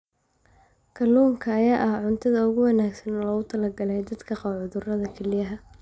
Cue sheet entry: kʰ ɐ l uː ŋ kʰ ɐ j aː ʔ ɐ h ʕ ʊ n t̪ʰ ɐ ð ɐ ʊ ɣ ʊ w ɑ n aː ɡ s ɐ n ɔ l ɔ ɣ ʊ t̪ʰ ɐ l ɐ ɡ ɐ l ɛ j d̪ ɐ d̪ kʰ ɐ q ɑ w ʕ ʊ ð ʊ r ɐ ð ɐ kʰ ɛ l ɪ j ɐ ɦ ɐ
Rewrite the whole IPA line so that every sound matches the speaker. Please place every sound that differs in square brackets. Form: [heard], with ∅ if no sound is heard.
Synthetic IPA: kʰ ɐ l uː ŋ kʰ [ɐː] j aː ʔ ɐ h ʕ ʊ n t̪ʰ ɐ ð ɐ ʊ ɣ ʊ w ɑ n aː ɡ s ɐ n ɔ l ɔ ɣ ʊ t̪ʰ ɐ l ɐ ɡ ɐ l ɛ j d̪ ɐ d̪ kʰ ɐ q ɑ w ʕ ʊ ð ʊ r ɐ ð ɐ kʰ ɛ l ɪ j ɐ ɦ ɐ